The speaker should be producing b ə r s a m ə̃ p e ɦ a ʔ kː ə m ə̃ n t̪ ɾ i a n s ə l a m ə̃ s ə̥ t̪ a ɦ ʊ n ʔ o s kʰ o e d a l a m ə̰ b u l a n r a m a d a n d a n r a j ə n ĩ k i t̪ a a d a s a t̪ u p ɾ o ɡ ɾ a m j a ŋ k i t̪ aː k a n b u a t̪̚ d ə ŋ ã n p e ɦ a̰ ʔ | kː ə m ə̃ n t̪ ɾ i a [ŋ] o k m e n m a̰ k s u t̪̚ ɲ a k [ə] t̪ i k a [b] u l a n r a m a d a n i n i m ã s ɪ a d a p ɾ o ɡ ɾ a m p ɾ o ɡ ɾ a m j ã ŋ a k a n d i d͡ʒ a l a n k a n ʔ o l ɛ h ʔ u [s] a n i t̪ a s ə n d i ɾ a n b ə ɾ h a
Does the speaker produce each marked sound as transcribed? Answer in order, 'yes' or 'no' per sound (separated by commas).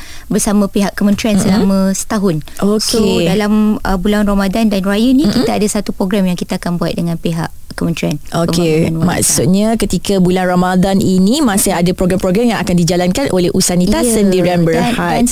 no, yes, yes, yes